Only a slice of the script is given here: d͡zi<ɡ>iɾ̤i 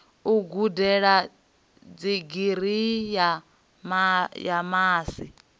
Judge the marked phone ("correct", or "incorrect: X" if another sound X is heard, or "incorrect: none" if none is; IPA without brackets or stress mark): correct